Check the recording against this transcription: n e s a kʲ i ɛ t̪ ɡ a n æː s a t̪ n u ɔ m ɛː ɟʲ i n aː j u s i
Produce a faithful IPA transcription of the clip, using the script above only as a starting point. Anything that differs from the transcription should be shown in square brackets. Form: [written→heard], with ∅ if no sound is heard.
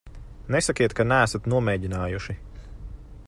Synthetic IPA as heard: n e s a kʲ i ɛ t̪ [ɡ→k] a n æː s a t̪ n u ɔ m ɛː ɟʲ i n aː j u [s→ʃ] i